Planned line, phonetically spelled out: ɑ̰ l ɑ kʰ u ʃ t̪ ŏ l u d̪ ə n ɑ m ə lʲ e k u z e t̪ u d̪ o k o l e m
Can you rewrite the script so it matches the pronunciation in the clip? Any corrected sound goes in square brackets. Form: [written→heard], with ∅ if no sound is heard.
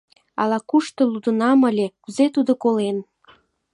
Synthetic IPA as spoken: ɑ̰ l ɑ [kʰ→k] u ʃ t̪ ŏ l u d̪ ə n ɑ m ə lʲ e k u z e t̪ u d̪ o k o l e [m→n]